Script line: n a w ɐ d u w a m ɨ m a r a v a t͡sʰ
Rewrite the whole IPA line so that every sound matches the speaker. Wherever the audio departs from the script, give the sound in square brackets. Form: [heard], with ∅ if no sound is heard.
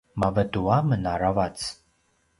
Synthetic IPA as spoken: [m] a [v] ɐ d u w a m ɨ [n] a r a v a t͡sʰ